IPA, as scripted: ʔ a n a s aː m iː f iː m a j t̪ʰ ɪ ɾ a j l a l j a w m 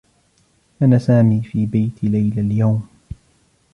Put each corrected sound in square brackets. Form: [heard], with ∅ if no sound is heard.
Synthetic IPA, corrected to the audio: ʔ a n a s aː m iː f iː [b] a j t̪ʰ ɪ [l] a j l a l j a w m